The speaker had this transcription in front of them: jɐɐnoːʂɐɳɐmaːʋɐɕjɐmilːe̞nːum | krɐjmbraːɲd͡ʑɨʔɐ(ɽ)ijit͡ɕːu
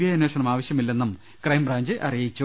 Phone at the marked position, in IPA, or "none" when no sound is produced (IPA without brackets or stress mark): r